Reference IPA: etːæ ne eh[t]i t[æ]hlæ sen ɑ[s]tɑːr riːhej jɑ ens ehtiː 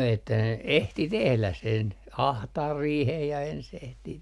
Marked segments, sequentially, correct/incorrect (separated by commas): correct, incorrect, incorrect